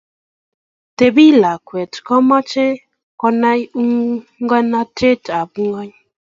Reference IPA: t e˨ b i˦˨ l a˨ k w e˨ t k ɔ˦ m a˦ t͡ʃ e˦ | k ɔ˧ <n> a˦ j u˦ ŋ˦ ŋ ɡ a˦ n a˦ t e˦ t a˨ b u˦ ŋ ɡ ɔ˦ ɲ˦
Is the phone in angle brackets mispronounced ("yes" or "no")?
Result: no